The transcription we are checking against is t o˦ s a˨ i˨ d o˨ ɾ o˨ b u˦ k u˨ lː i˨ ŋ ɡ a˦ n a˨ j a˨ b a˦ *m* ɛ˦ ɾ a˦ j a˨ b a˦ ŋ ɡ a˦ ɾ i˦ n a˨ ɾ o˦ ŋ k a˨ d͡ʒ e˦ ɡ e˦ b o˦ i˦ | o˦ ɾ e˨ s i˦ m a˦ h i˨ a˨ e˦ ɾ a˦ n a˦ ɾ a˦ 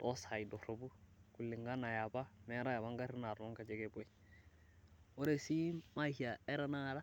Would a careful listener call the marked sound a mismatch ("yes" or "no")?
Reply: no